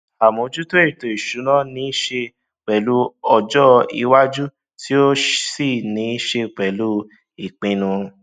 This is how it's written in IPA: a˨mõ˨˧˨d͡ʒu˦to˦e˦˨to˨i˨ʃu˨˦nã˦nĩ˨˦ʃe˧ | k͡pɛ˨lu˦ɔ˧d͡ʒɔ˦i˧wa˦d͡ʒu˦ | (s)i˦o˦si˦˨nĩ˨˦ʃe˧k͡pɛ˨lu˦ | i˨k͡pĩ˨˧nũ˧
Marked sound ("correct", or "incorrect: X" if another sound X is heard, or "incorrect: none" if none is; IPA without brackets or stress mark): incorrect: t